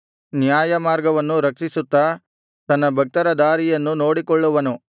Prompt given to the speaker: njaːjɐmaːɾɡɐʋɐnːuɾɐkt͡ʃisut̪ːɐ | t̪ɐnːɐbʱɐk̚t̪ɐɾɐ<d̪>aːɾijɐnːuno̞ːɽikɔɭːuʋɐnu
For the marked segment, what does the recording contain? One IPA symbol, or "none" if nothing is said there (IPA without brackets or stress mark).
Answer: d̪